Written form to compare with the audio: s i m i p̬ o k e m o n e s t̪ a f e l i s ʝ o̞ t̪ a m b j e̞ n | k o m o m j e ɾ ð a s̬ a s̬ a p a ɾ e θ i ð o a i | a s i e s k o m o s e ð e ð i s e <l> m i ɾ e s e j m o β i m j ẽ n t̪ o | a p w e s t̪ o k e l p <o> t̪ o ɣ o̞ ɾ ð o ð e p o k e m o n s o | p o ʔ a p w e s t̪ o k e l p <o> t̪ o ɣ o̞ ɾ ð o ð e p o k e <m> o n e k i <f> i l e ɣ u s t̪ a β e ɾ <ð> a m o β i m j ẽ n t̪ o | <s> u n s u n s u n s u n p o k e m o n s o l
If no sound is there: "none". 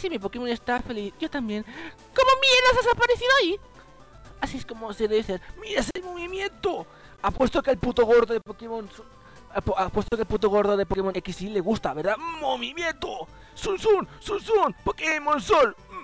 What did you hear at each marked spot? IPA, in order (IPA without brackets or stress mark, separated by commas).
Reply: ɾ, u, u, m, s, ð, s